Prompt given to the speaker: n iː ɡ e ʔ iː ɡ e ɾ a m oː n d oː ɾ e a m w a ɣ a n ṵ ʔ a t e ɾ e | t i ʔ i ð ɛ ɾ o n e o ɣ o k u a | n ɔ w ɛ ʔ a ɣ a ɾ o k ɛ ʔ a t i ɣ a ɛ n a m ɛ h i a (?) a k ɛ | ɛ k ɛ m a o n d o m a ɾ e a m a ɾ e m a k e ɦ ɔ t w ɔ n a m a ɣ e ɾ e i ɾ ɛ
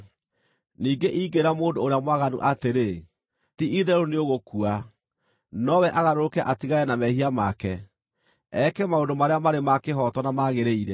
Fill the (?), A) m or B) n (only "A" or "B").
A